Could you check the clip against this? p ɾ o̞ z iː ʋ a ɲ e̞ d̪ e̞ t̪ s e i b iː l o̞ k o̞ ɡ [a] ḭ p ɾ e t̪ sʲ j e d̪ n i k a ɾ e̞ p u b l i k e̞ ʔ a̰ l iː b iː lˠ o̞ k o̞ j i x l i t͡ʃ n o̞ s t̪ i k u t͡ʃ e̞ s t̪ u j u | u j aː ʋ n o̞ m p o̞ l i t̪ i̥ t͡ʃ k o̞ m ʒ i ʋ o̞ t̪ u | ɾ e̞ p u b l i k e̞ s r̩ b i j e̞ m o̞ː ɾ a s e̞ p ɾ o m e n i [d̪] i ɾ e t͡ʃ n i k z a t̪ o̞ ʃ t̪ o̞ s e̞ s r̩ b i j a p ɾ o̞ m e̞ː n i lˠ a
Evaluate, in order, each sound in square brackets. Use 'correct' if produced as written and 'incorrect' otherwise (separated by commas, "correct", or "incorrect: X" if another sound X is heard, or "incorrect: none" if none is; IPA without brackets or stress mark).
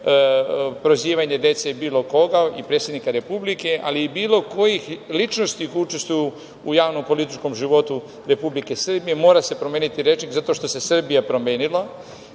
correct, incorrect: t̪